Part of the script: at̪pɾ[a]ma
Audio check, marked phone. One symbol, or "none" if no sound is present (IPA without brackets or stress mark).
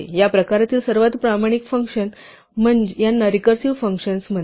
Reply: a